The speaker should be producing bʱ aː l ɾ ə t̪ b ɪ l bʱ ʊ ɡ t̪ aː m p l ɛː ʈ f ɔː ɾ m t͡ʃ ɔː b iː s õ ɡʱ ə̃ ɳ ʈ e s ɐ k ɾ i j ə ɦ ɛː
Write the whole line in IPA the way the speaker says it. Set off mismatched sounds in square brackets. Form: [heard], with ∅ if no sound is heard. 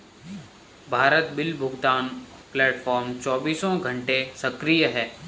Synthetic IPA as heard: bʱ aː [∅] ɾ ə t̪ b ɪ l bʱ ʊ ɡ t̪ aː [n] p l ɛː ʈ f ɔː ɾ m t͡ʃ ɔː b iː s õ ɡʱ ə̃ ɳ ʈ e s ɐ k ɾ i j ə ɦ ɛː